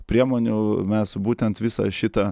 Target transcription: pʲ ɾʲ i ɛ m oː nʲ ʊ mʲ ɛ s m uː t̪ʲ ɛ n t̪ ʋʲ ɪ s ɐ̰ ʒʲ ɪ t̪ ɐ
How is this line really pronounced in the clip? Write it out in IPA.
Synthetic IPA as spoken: pʲ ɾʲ i ɛ m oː nʲ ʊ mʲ ɛ s b uː t̪ʲ ɛ n t̪ ʋʲ ɪ s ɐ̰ ʃʲ ɪ t̪ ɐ